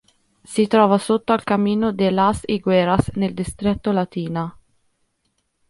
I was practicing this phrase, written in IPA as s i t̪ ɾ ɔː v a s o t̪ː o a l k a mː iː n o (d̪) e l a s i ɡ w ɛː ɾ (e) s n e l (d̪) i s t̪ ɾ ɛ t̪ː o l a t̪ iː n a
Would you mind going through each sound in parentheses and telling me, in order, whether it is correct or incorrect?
correct, incorrect: a, correct

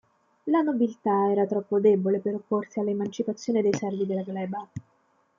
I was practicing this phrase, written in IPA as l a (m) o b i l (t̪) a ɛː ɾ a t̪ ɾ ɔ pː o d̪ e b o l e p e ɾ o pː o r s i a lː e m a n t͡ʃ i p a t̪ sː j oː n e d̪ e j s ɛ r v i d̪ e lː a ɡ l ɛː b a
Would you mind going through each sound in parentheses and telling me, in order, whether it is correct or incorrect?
incorrect: n, correct

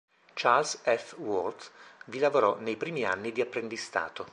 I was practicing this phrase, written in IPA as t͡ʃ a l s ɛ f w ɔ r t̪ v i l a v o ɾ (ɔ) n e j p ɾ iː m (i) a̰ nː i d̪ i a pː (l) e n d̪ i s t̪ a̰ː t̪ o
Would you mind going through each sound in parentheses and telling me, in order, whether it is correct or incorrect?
correct, correct, incorrect: ɾ

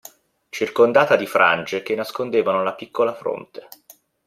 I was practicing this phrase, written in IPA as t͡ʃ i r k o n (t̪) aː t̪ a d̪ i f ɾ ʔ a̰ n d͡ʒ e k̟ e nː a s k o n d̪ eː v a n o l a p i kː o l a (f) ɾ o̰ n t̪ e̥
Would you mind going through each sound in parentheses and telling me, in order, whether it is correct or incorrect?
incorrect: d̪, correct

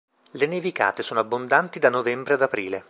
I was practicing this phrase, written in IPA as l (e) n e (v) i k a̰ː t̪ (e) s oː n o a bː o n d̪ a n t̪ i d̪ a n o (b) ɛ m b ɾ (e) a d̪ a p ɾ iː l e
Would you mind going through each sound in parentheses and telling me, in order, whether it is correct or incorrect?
correct, correct, correct, incorrect: v, correct

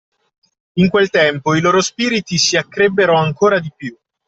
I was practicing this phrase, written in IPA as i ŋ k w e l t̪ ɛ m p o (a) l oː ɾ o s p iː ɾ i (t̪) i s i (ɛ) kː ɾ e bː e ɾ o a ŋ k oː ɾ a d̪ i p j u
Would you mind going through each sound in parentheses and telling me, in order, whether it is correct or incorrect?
incorrect: i, correct, incorrect: a

